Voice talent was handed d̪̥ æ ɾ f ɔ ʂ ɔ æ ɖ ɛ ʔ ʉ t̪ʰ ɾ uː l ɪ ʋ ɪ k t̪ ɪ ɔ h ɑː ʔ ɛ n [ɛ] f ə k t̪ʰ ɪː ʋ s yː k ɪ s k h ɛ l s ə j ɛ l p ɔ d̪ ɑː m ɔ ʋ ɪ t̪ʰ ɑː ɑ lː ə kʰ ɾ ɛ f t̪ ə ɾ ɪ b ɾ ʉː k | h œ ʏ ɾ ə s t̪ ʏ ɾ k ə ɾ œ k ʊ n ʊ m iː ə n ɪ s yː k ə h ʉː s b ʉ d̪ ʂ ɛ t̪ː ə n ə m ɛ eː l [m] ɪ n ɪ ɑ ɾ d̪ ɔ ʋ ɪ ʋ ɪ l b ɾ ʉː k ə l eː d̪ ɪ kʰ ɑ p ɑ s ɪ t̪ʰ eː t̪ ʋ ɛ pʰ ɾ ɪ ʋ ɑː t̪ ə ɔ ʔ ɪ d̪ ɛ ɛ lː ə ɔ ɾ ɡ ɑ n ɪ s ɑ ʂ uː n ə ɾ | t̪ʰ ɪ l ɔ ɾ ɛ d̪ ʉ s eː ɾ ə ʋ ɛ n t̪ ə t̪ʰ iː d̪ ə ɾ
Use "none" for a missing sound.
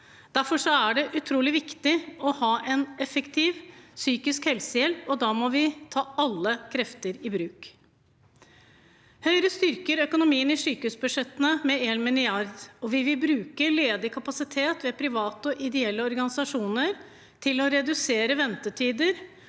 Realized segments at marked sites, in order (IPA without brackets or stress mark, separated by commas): ɛ, m